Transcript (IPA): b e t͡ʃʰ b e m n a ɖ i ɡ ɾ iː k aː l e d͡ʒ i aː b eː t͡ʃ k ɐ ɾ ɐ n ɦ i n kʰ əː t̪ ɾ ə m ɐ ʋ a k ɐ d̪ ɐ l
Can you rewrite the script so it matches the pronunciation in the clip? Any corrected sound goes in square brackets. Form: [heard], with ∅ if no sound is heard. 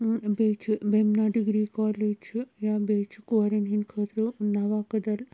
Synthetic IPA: b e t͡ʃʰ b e m n a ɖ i ɡ ɾ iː k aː l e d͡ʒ [j] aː b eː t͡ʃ k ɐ ɾ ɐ n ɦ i n kʰ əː t̪ ɾ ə [n] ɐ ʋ a k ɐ d̪ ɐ l